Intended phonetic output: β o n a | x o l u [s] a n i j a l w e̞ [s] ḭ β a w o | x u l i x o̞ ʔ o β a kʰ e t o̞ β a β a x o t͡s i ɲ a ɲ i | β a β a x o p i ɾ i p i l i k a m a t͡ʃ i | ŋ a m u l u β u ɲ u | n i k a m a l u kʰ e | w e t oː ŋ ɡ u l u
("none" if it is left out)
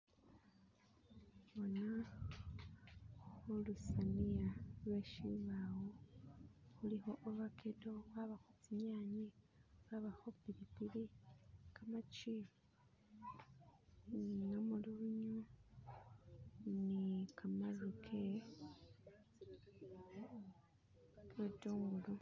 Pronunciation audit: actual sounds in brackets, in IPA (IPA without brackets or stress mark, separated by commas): s, ʃ